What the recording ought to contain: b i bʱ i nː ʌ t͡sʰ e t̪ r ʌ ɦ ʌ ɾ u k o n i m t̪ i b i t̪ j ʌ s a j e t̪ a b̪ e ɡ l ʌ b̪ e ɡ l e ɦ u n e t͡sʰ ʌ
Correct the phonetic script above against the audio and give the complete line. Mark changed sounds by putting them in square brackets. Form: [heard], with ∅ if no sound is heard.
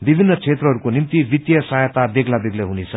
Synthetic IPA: b i bʱ i nː ʌ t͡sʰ e t̪ r ʌ ɦ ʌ ɾ u k o n i m t̪ i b i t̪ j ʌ s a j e t̪ a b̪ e ɡ l [a] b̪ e ɡ l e ɦ u n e t͡sʰ ʌ